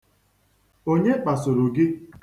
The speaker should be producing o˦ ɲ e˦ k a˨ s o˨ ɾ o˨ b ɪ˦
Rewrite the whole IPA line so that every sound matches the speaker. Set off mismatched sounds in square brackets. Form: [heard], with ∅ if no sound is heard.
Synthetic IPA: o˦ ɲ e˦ [k͡p] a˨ s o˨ ɾ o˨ [ɡ] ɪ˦